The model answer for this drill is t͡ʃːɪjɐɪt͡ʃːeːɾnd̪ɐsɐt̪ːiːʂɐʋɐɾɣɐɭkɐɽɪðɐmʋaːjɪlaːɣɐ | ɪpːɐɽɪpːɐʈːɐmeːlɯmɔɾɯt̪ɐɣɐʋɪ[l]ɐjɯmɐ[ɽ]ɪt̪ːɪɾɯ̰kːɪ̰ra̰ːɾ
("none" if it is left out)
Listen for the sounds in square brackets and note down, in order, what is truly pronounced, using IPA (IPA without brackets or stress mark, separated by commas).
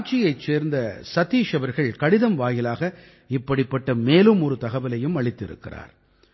l, ɭ